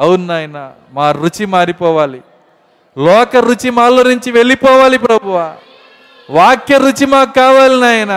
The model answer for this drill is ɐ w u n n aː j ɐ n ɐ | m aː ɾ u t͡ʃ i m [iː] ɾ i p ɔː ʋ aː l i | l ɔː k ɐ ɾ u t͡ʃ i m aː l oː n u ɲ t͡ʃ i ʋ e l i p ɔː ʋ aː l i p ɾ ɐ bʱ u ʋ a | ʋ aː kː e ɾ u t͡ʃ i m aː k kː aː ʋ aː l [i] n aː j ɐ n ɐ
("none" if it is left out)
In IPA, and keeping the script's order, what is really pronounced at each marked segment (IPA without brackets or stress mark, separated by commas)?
aː, i